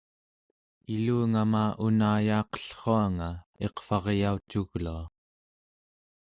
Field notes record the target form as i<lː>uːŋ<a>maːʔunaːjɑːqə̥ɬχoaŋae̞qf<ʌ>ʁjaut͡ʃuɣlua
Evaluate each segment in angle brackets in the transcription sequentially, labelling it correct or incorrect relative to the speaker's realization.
incorrect: l, correct, incorrect: ɑ

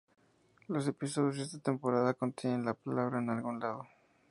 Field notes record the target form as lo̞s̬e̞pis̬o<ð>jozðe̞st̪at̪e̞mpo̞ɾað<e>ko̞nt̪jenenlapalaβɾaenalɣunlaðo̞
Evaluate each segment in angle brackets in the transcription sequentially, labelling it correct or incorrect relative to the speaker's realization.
correct, incorrect: a

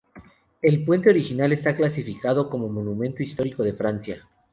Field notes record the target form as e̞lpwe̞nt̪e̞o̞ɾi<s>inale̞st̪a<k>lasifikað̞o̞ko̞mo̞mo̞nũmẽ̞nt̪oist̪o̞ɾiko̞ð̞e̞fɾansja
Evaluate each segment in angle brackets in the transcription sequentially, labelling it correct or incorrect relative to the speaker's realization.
incorrect: x, correct

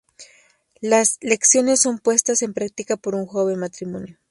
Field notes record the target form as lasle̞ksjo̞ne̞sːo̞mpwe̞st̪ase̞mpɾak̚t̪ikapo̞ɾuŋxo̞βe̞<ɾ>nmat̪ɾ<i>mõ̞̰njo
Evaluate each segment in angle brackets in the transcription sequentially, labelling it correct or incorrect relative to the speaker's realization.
incorrect: none, correct

